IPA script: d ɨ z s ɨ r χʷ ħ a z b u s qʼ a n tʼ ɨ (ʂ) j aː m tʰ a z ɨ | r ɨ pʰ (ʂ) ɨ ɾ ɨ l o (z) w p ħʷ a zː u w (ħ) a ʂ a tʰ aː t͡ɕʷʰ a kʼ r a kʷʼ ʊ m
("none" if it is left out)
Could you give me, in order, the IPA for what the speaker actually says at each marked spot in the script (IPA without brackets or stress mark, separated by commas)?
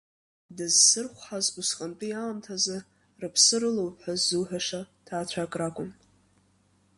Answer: none, s, none, ħ